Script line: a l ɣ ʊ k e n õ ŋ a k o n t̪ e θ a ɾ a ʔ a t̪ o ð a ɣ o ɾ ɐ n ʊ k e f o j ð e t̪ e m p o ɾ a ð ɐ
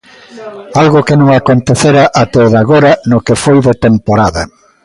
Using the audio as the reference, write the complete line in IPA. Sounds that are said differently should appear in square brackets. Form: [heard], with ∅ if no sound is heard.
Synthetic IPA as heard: a l ɣ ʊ k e n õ ŋ a k o n t̪ e θ [e] ɾ a ʔ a t̪ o ð a ɣ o ɾ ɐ n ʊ k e f o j ð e t̪ e m p o ɾ a ð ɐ

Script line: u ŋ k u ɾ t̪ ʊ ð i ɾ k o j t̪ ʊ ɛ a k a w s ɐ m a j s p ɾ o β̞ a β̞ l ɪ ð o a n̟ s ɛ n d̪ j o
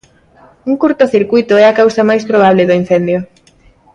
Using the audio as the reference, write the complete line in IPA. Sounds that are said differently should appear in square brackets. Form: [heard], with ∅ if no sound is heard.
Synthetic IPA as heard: u ŋ k u ɾ t̪ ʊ [θ] i ɾ k [u] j t̪ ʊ ɛ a k a w s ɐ m a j s p ɾ o β̞ a β̞ l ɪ ð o [i] n̟ [θ] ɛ n d̪ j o

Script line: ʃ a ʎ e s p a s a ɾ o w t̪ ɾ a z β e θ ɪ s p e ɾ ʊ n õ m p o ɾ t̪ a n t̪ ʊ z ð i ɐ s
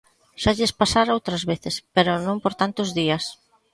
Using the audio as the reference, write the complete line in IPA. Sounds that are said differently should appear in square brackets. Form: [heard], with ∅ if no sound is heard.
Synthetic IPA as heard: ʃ a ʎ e s p a s a ɾ o w t̪ ɾ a z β e θ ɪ s p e ɾ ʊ n õ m p o ɾ t̪ a n t̪ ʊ z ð i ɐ s

